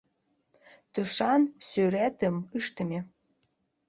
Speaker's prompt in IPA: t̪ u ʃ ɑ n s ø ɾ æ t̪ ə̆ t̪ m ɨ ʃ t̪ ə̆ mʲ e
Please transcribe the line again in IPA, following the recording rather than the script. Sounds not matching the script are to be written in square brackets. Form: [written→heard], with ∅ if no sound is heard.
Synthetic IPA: t̪ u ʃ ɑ n s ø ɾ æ t̪ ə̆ [t̪→∅] m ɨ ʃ t̪ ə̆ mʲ e

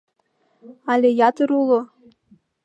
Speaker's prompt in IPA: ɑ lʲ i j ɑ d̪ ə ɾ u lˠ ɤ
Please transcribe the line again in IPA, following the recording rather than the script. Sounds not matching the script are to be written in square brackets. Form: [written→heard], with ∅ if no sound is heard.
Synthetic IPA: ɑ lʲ [i→e] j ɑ [d̪→t̪] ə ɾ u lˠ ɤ

